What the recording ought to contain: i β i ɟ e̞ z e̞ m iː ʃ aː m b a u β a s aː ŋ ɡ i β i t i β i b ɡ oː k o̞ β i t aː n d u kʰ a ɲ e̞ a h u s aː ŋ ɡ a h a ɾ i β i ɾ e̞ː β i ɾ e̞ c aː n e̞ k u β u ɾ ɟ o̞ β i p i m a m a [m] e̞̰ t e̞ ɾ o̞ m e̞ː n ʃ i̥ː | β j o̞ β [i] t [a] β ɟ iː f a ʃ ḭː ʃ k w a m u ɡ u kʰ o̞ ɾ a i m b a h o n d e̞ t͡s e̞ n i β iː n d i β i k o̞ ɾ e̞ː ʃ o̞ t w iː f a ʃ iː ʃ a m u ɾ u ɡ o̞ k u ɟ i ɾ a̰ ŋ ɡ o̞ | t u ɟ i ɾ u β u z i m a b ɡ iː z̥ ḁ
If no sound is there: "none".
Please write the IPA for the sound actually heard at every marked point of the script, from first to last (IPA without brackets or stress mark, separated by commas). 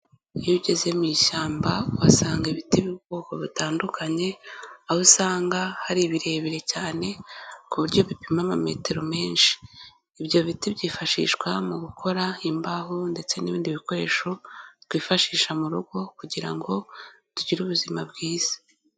m, i, i